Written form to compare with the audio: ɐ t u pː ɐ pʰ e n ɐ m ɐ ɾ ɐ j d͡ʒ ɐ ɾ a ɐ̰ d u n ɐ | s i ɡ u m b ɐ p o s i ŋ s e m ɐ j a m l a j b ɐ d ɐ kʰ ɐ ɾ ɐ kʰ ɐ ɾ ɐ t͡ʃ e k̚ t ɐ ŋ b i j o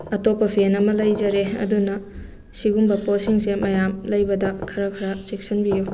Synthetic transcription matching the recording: ɐ t o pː ɐ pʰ e n ɐ m ɐ l ɐ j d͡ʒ ɐ ɾ e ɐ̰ d u n ɐ | s i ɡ u m b ɐ p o s i ŋ s e m ɐ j a m l ɐ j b ɐ d ɐ kʰ ɐ ɾ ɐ kʰ ɐ ɾ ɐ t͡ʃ e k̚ s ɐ n b i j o